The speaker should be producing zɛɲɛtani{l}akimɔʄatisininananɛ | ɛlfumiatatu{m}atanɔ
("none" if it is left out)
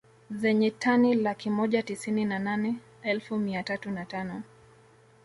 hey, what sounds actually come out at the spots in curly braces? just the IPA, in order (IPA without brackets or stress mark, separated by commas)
l, n